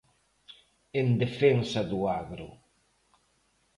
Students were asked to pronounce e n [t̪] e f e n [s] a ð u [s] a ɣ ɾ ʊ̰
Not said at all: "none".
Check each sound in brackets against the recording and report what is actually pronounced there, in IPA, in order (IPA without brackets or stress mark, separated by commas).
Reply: d̪, s, none